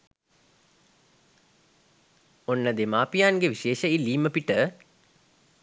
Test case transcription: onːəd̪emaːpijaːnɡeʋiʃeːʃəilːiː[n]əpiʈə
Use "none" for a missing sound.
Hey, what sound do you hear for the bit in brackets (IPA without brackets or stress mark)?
m